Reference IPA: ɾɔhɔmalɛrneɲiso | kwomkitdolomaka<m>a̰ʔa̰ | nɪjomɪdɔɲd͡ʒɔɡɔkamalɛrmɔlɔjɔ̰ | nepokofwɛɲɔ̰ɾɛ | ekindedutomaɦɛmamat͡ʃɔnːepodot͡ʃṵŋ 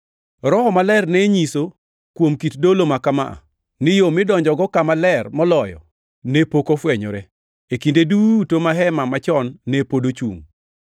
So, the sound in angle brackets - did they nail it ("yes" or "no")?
yes